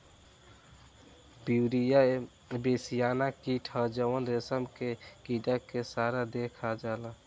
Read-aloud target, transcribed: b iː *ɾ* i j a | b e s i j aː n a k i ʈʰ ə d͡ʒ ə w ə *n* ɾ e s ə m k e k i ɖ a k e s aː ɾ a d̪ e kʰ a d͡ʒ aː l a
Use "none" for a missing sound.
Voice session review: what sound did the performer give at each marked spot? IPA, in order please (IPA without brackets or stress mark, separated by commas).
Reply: ɾ, n